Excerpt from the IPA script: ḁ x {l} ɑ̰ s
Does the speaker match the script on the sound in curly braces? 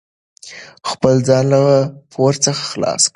yes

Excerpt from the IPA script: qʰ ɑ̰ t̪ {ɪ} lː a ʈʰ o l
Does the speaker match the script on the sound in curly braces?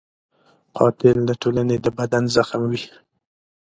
yes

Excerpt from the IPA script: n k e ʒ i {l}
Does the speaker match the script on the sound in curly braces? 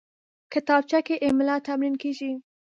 no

